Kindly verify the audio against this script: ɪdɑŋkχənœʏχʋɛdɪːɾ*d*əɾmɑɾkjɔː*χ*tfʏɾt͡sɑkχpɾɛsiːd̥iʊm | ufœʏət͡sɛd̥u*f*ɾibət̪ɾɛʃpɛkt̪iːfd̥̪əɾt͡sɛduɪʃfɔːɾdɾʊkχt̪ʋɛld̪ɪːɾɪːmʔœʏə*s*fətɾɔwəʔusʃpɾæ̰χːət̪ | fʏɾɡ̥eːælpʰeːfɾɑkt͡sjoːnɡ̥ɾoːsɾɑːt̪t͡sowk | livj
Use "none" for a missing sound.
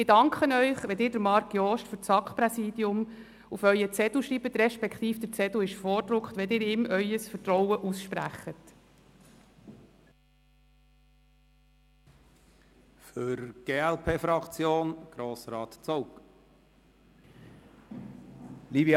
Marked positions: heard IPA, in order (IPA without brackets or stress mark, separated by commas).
d, ʃ, ʃ, s